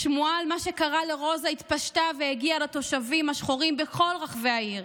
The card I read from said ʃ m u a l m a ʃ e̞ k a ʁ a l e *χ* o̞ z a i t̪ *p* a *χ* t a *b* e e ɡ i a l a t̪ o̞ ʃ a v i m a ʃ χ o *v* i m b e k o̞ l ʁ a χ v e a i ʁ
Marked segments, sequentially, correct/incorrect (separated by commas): incorrect, correct, incorrect, incorrect, incorrect